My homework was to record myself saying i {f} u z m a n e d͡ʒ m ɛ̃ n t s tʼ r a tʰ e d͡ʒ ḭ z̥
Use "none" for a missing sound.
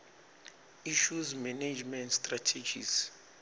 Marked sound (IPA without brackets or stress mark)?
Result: ʃ